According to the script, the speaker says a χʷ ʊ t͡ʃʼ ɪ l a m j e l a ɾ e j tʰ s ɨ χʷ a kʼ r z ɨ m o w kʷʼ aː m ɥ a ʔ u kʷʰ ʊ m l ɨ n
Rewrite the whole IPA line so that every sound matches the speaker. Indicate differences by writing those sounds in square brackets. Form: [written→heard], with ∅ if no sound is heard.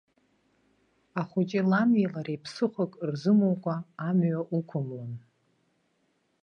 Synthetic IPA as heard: a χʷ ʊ t͡ʃʼ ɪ l a m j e l a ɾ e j [tʰ→pʰ] s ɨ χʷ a kʼ r z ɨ m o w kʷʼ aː m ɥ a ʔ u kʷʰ ʊ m l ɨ n